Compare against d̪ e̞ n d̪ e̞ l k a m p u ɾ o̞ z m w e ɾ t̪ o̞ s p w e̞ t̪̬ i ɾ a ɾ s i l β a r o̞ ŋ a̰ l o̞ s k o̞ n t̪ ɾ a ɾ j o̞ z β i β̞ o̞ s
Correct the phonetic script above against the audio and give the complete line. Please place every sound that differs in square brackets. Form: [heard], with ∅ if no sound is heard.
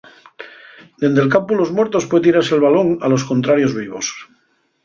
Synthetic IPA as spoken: d̪ e̞ n d̪ e̞ l k a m p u [l] o̞ z m w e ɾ t̪ o̞ s p w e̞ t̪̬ i ɾ a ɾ s [e] l β a [l] o̞ ŋ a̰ l o̞ s k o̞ n t̪ ɾ a ɾ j o̞ z β i β̞ o̞ s